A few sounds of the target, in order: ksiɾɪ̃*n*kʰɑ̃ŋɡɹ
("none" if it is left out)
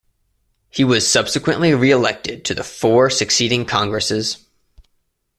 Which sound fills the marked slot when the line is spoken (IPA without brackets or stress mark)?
ŋ